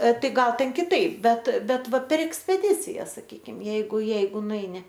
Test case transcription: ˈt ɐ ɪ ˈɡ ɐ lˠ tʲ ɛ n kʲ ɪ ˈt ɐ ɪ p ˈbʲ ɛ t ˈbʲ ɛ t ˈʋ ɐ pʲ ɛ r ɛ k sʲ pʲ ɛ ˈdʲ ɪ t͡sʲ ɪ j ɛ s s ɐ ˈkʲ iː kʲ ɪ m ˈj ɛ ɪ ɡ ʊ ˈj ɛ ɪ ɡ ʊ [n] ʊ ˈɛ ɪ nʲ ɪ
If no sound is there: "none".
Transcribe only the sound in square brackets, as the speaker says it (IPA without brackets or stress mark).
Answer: n